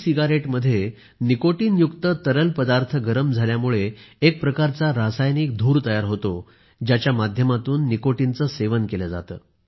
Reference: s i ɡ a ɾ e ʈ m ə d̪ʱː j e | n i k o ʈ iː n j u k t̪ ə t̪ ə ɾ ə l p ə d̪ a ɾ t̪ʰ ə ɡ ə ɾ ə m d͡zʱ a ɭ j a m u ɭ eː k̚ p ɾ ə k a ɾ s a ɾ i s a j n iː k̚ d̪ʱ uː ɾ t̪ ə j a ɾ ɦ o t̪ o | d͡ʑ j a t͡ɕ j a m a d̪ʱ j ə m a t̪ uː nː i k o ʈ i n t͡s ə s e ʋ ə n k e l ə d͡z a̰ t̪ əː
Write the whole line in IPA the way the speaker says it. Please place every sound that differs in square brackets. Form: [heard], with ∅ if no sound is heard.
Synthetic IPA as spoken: s i ɡ a ɾ e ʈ m ə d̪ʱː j e | n i k o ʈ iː n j u k t̪ ə t̪ ə ɾ ə l p ə d̪ a ɾ t̪ʰ ə ɡ ə ɾ ə m d͡zʱ a [l] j a m u ɭ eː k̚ p ɾ ə k a ɾ [t͡s] a ɾ [a] s a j n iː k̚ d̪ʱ uː ɾ t̪ ə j a ɾ ɦ o t̪ o | d͡ʑ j a t͡ɕ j a m a d̪ʱ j ə m a t̪ uː nː i k o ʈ i n t͡s ə s e ʋ ə n k e l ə d͡z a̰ t̪ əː

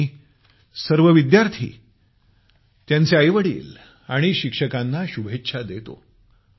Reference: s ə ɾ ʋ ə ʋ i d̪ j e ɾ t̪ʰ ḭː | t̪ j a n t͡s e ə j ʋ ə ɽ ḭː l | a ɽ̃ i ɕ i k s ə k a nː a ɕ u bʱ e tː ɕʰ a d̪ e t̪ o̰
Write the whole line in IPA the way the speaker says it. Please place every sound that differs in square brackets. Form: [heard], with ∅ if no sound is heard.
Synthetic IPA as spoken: s ə ɾ ʋ ə ʋ i d̪ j [a] ɾ t̪ʰ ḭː | t̪ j a n t͡s e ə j ʋ ə ɽ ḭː l | a ɽ̃ i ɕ i k [ʂ] ə k a nː a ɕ u bʱ e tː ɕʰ a d̪ e t̪ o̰

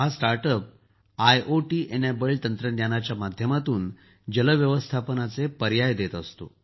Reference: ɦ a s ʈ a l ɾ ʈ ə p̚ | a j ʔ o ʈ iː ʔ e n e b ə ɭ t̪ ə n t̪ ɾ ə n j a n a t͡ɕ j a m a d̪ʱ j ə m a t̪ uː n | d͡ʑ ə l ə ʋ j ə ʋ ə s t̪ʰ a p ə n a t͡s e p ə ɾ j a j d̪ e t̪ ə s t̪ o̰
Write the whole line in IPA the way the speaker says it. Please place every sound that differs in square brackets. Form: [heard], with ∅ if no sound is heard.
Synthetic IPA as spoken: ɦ a s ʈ a [∅] ɾ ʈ ə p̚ | a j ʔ o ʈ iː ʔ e n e b ə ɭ t̪ ə n t̪ ɾ ə n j a n a t͡ɕ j a m a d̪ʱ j ə m a t̪ uː n | d͡ʑ ə l ə ʋ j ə ʋ ə s t̪ʰ a p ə n a t͡s e p ə ɾ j a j d̪ e t̪ ə s t̪ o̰

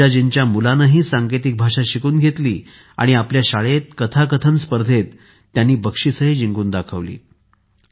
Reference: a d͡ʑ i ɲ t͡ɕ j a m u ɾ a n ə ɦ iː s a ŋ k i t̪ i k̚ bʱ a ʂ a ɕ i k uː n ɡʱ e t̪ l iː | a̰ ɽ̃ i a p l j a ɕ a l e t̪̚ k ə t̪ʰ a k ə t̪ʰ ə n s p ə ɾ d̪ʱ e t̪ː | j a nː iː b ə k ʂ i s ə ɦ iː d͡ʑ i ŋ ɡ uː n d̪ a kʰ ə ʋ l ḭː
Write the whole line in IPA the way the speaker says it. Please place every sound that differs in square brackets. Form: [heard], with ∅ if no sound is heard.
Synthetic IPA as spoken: a d͡ʑ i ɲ t͡ɕ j a m u [l] a n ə ɦ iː s a ŋ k [e] t̪ i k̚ bʱ a ʂ a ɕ i k uː n ɡʱ e t̪ l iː | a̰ ɽ̃ i a p l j a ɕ a [ɭ] e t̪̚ k ə t̪ʰ a k ə t̪ʰ ə n s p ə ɾ d̪ʱ e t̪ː | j a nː iː b ə k ʂ i s ə ɦ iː d͡ʑ i ŋ ɡ uː n d̪ a kʰ ə ʋ l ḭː

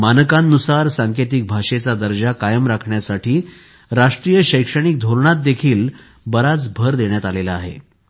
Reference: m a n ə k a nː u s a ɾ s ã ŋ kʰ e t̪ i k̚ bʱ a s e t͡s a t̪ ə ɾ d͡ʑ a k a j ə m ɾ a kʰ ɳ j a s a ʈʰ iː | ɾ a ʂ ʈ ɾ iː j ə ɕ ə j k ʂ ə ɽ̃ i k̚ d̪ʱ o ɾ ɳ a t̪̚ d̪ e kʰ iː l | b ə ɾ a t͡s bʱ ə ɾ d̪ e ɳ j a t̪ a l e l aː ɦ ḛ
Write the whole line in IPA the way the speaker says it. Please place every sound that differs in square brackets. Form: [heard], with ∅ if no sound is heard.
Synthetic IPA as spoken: m a n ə k a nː u s a ɾ s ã ŋ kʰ e t̪ i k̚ bʱ a [ʂ] e t͡s a [d̪] ə ɾ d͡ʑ a k a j ə m ɾ a kʰ ɳ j a s a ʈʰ iː | ɾ a ʂ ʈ ɾ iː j ə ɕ ə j k ʂ ə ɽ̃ i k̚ d̪ʱ o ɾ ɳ a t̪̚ d̪ e kʰ iː l | b ə ɾ a t͡s bʱ ə ɾ d̪ e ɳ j a t̪ a l e l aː ɦ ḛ

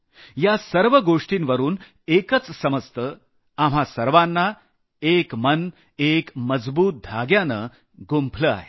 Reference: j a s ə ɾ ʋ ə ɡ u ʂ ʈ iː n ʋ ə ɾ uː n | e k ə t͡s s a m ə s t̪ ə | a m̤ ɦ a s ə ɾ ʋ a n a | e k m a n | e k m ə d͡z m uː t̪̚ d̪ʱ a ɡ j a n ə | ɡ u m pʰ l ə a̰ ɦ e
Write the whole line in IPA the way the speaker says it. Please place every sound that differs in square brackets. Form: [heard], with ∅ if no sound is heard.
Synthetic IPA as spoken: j a s ə ɾ ʋ ə ɡ [o] ʂ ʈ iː n ʋ ə ɾ uː n | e k ə t͡s s [ə] m ə s t̪ ə | a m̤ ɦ a s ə ɾ ʋ a [nː] a | e k m [ə] n | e k m ə d͡z [b] uː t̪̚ d̪ʱ a ɡ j a n ə | ɡ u m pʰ l ə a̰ ɦ e

